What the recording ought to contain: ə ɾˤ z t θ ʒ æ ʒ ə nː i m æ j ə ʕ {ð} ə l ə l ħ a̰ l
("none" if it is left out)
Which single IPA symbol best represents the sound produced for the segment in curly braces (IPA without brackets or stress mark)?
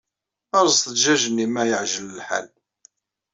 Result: ʒ